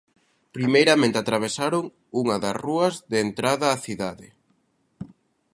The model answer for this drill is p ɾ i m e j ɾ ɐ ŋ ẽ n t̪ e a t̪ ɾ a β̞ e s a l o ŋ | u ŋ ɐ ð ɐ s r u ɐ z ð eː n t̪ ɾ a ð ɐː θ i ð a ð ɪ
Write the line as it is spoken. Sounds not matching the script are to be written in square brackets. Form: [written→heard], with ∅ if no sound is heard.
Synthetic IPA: p ɾ i m e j ɾ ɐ [ŋ→m] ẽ n t̪ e a t̪ ɾ a β̞ e s a [l→ɾ] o ŋ | u ŋ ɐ ð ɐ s r u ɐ z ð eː n t̪ ɾ a ð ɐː θ i ð a ð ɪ